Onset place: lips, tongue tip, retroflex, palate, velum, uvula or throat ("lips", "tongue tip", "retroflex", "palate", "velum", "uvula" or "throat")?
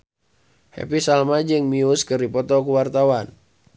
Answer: throat